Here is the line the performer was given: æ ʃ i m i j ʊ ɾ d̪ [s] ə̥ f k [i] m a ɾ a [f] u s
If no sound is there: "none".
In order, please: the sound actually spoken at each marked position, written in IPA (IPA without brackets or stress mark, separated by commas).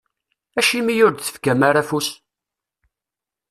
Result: θ, æ, f